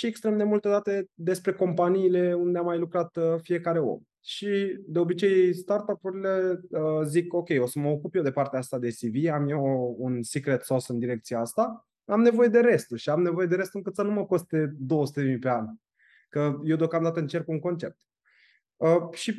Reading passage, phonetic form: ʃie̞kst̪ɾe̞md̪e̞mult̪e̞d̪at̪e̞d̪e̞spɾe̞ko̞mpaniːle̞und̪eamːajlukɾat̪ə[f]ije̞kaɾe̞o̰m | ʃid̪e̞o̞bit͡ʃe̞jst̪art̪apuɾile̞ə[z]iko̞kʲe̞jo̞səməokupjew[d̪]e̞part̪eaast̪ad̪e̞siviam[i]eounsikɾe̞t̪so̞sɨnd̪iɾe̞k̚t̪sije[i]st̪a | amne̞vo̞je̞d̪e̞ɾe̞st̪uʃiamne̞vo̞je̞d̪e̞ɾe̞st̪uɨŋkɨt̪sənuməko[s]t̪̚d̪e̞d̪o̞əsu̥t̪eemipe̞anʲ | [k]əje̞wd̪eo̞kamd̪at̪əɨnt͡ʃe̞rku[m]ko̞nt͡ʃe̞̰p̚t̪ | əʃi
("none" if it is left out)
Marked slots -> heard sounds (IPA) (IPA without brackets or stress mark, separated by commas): f, z, d̪, j, a, s, k, ŋ